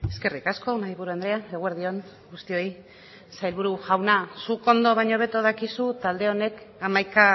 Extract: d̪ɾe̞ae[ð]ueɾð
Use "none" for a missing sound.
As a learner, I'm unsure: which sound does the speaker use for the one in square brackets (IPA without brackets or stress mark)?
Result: ɣ